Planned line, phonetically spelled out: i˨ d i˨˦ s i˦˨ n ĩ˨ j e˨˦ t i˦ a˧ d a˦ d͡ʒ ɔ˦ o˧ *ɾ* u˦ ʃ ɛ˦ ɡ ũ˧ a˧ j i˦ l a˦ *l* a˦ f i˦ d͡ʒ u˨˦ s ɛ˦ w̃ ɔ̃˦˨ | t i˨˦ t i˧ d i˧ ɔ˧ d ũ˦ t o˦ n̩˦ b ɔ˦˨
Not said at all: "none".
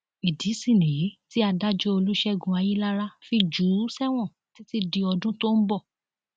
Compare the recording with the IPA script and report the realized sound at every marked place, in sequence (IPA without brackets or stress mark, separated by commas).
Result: l, ɾ